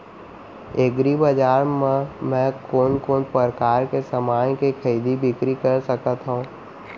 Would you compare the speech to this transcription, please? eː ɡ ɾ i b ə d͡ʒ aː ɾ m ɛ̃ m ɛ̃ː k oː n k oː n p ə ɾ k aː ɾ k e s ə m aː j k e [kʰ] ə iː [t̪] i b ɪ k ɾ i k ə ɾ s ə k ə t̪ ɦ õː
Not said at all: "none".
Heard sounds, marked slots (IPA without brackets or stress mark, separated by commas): kʰ, d̪